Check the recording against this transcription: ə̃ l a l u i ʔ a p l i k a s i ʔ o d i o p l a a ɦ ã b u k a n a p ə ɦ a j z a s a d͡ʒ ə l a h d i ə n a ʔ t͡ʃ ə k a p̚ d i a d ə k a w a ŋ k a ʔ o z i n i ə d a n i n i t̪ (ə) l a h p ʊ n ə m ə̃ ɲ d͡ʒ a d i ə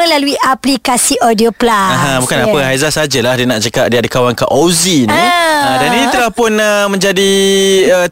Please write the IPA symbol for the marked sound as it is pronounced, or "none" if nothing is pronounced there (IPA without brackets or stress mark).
ə